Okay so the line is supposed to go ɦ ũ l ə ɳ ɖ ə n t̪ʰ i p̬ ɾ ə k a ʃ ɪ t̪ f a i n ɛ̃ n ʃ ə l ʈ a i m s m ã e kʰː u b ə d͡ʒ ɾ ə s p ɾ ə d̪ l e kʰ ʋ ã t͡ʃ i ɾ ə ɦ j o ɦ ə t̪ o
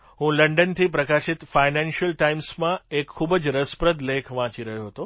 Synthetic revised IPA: ɦ ũ l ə ɳ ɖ ə n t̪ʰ i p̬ ɾ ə k a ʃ ɪ t̪ f a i n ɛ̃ n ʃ ə l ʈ a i m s m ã e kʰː u b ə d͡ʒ ɾ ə s p ɾ ə d̪ l e kʰ ʋ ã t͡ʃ i ɾ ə ɦ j o ɦ ə t̪ o